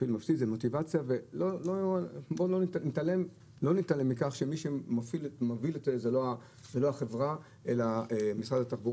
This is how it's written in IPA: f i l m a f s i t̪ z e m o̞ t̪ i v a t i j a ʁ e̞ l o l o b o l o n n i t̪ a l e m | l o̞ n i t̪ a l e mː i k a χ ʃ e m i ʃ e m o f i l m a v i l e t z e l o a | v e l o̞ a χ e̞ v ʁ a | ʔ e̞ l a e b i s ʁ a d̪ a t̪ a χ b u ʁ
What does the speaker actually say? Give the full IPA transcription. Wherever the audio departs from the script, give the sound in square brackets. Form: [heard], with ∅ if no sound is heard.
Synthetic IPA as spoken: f i l m a f s i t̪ z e m o̞ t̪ i v a [t͡s] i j a [v] e̞ l o l o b o l o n n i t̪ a l e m | l o̞ n i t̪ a l e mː i k a χ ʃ e m i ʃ e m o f i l m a v i l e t z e l o a | [z] e l o̞ a χ e̞ v ʁ a | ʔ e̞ l a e [m] i s ʁ a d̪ a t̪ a χ b u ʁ